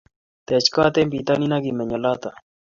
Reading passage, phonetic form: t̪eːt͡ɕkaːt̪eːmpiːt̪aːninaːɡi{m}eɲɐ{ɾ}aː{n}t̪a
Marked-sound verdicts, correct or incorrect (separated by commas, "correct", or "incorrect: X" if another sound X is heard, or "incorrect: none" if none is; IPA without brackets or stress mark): correct, incorrect: l, incorrect: none